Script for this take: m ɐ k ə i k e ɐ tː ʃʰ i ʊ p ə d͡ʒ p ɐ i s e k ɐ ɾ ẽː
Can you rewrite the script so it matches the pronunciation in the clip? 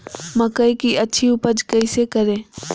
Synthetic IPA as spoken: m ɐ k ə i k i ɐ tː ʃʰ i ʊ p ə d͡ʒ k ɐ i s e k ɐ ɾ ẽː